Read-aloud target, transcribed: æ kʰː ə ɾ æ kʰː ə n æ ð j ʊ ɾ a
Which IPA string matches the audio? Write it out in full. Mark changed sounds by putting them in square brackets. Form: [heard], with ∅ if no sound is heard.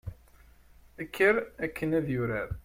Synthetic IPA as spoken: æ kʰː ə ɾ æ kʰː ə n æ ð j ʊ ɾ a